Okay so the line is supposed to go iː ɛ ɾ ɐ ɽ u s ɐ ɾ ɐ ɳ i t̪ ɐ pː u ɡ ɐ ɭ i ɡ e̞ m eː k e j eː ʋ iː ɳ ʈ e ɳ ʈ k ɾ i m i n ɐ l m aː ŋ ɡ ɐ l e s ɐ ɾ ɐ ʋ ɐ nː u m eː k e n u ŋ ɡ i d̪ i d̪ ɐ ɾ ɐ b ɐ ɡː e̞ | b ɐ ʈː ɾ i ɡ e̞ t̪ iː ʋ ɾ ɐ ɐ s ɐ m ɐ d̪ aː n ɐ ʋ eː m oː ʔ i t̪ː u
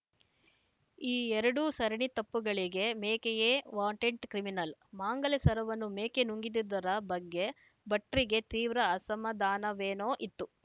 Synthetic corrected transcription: iː ɛ ɾ ɐ ɽ u s ɐ ɾ ɐ ɳ i t̪ ɐ pː u ɡ ɐ ɭ i ɡ e̞ m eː k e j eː ʋ aː ɳ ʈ e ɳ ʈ k ɾ i m i n ɐ l m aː ŋ ɡ ɐ l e s ɐ ɾ ɐ ʋ ɐ nː u m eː k e n u ŋ ɡ i d̪ i d̪ ɐ ɾ ɐ b ɐ ɡː e̞ | b ɐ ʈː ɾ i ɡ e̞ t̪ iː ʋ ɾ ɐ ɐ s ɐ m ɐ d̪ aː n ɐ ʋ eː n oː ʔ i t̪ː u